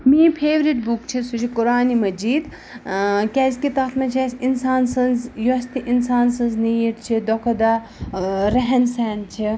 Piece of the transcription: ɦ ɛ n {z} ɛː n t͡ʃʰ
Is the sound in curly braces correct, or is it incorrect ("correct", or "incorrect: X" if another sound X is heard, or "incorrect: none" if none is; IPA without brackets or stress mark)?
incorrect: s